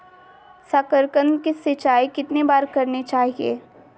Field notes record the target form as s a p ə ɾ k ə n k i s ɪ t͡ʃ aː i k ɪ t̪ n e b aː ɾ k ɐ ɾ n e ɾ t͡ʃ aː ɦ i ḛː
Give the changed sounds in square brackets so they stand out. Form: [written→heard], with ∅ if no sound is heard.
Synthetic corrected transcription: s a [p→k] ə ɾ k ə n k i s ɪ t͡ʃ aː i k ɪ t̪ n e b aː ɾ k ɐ ɾ n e [ɾ→∅] t͡ʃ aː ɦ i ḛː